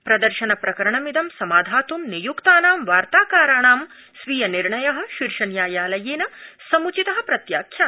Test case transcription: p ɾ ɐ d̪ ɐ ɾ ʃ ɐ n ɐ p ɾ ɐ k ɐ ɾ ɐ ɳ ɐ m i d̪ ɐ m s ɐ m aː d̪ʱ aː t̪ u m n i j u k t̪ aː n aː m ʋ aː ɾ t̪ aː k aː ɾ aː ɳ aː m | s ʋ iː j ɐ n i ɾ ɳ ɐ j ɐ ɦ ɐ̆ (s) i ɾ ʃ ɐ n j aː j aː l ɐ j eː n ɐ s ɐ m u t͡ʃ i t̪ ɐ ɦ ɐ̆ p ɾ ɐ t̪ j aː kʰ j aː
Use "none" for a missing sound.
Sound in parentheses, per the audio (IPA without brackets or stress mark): ʃ